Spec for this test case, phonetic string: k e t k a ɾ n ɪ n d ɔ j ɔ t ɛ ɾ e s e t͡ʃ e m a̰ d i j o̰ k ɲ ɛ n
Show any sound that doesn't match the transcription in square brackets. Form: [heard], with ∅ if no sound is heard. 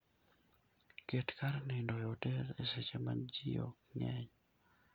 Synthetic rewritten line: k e t k a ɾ n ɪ n d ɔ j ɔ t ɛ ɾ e s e t͡ʃ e m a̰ [d͡ʒ] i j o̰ k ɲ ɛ [ɲ]